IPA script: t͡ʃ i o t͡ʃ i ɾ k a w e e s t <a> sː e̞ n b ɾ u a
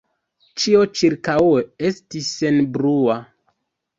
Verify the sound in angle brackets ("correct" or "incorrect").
incorrect